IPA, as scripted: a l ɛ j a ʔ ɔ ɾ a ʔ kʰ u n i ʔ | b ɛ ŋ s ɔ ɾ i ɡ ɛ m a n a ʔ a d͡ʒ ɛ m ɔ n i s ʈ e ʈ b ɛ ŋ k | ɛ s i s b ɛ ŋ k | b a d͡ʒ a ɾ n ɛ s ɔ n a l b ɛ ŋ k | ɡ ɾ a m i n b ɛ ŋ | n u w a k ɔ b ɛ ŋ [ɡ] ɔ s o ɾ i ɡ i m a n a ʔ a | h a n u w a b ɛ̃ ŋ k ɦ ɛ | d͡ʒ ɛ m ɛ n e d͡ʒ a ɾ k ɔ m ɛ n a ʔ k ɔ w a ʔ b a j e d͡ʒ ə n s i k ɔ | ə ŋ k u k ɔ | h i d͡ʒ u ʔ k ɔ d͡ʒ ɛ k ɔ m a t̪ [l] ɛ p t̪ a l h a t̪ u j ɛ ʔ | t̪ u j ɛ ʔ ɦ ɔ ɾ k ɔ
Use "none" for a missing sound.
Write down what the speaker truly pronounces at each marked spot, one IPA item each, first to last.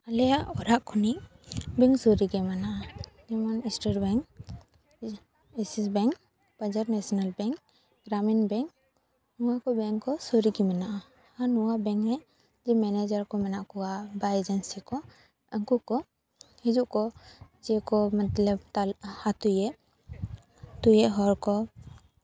k, l

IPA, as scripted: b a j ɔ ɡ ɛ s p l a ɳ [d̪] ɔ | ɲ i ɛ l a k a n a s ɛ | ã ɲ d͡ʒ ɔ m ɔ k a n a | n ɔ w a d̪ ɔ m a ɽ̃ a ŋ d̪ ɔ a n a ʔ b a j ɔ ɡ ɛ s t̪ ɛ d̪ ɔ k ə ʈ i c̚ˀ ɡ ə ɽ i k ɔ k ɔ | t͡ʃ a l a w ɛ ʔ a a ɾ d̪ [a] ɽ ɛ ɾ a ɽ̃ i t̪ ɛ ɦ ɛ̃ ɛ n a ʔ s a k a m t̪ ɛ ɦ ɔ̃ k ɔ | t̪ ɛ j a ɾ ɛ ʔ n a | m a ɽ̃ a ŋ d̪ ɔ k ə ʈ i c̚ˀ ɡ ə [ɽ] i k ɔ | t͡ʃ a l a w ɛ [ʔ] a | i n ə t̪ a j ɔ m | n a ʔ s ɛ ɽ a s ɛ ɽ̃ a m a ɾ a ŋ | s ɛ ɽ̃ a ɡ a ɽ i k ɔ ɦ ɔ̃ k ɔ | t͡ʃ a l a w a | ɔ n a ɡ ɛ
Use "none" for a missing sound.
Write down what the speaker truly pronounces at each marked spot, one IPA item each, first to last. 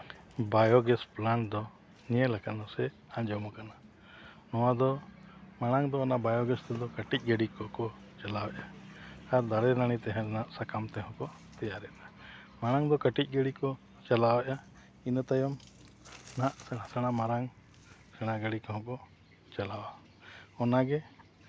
d̪, a, ɽ, ʔ

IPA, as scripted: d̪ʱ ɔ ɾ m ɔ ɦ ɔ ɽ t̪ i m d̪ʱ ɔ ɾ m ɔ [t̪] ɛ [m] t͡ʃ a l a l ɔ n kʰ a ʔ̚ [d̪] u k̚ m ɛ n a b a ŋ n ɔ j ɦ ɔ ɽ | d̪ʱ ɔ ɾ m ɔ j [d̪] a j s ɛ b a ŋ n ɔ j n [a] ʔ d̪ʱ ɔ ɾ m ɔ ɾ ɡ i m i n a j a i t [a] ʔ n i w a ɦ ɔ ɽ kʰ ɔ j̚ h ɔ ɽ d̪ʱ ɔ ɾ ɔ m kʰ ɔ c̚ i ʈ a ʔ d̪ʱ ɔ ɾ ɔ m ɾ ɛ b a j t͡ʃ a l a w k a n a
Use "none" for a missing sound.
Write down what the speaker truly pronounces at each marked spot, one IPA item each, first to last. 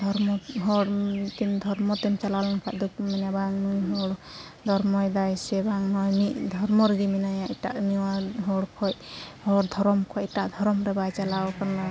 t̪, m, d̪, d̪, i, a

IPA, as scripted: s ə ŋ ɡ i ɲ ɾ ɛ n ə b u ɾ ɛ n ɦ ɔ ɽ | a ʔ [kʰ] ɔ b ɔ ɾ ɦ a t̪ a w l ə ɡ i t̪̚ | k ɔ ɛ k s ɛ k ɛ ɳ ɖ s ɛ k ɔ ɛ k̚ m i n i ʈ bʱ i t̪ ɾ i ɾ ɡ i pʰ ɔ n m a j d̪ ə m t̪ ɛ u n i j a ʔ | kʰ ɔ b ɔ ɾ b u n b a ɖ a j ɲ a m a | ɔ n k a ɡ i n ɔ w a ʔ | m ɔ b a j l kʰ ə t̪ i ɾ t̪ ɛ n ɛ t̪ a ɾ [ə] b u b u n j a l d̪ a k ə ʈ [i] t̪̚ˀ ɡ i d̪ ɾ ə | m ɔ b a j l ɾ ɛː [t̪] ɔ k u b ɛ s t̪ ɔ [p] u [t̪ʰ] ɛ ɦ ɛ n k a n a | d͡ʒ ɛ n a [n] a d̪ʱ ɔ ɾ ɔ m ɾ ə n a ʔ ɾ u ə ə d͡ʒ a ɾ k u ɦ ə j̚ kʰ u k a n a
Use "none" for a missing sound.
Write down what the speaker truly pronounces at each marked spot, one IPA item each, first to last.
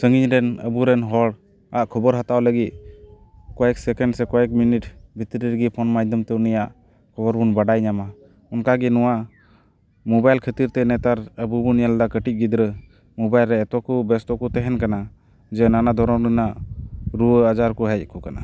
kʰ, ə, i, t̪, k, t̪, n

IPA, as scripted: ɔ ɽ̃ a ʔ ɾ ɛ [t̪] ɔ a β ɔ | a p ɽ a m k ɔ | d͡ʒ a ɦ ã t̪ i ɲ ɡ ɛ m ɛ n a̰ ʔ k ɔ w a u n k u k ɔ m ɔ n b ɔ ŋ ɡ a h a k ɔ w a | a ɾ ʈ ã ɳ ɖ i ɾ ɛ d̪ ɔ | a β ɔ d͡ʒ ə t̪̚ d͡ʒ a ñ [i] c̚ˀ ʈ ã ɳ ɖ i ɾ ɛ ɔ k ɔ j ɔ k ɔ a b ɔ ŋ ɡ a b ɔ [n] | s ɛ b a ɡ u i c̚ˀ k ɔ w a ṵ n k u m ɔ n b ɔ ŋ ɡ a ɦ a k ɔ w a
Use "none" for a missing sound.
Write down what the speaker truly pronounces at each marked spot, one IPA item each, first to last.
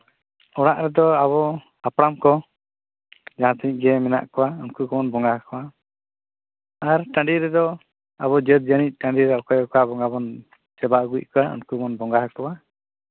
d̪, i, n

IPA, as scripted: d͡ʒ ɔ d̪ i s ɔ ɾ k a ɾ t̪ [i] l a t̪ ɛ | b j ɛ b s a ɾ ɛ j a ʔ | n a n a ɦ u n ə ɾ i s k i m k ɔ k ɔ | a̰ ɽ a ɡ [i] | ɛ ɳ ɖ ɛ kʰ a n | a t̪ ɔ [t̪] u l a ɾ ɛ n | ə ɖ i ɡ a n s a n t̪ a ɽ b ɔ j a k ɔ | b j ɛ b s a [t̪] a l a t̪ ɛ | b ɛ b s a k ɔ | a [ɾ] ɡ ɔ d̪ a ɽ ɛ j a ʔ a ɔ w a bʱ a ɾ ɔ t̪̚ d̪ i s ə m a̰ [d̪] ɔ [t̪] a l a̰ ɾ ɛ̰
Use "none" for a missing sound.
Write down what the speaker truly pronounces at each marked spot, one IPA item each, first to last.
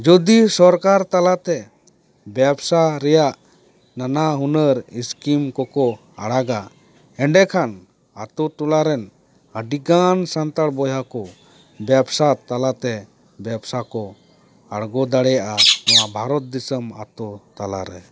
a, a, t̪, t̪, ɽ, t̪, t̪

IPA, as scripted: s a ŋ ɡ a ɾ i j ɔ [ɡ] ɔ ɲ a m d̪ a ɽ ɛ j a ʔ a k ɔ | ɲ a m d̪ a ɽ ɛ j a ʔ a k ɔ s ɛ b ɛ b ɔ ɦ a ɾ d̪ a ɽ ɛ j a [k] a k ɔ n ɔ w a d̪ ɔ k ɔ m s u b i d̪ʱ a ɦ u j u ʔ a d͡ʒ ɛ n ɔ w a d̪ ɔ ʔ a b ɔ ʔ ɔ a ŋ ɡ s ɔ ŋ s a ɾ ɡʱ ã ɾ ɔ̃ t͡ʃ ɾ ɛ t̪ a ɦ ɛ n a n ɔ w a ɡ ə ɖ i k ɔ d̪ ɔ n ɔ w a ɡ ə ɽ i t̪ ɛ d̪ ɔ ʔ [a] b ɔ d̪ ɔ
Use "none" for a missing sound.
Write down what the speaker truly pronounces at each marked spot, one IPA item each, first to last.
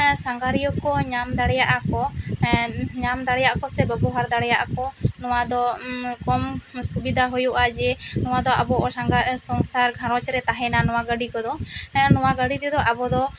k, ʔ, a

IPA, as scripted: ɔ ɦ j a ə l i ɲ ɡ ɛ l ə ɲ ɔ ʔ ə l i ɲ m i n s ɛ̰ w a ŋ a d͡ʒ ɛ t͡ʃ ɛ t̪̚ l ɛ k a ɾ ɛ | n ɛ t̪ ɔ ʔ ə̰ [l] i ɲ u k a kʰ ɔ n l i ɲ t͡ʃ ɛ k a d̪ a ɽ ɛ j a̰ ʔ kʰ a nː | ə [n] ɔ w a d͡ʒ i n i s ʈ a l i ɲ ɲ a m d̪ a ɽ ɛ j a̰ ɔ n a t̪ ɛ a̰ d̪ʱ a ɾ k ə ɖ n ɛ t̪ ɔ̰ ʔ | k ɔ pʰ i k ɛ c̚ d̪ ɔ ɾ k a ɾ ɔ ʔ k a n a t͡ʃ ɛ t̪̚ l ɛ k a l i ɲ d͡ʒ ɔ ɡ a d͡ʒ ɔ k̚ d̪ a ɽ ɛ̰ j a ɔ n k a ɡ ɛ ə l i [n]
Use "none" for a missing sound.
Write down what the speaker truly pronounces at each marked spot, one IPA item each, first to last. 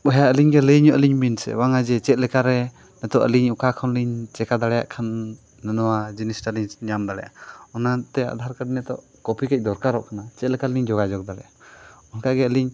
l, n, ɲ

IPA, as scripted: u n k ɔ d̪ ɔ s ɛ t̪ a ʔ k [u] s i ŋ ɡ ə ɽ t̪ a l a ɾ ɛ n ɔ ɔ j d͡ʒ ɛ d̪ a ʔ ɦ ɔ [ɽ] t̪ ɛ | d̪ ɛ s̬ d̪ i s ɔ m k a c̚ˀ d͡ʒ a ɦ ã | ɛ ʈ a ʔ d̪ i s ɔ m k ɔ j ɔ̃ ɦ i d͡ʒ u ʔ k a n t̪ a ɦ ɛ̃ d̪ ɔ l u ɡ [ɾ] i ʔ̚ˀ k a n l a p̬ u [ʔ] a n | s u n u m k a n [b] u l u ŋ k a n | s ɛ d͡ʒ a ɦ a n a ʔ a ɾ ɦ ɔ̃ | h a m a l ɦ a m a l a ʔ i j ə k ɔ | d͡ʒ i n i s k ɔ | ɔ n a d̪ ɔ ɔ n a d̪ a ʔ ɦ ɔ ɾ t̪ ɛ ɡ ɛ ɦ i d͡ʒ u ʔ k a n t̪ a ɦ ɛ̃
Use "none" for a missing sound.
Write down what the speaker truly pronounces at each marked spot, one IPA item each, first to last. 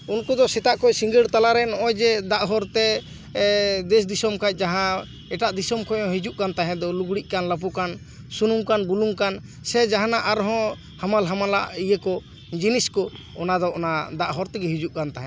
ɔ, ɾ, ɽ, k, b

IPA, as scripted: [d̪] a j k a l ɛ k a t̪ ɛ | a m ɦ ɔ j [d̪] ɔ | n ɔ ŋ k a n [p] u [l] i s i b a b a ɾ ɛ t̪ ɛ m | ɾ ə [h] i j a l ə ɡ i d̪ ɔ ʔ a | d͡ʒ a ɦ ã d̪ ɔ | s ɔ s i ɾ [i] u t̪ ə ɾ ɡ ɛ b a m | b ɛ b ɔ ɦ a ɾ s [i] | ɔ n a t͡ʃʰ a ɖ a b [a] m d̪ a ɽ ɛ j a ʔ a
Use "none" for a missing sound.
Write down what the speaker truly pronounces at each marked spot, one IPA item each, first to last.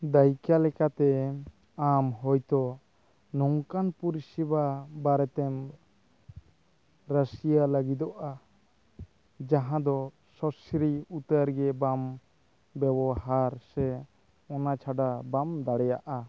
d̪, t̪, p, ɾ, s, i, ɛ, a

